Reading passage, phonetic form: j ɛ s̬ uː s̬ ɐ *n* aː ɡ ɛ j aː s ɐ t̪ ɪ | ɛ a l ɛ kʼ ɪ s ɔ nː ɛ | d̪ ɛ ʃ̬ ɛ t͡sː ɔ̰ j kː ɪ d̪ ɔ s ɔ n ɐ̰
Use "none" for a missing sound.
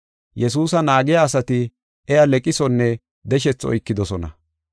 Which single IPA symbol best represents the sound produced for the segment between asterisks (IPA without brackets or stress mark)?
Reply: n